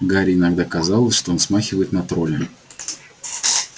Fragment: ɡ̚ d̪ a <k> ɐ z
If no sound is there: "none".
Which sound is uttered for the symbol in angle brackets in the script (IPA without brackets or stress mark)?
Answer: k